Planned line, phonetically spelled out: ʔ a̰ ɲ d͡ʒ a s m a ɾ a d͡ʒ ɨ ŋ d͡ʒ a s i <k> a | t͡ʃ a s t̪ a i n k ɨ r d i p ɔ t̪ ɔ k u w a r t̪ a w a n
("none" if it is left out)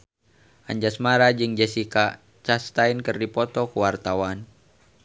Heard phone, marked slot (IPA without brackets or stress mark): k